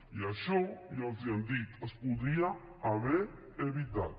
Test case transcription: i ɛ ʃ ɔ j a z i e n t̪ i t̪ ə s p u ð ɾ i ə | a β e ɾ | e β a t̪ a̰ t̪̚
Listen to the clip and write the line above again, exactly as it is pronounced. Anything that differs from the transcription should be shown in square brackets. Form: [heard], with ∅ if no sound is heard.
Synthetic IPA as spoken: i [a] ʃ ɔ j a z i [a] n [d̪] i t̪ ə s p u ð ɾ i [a] | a β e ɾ | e β [i] t̪ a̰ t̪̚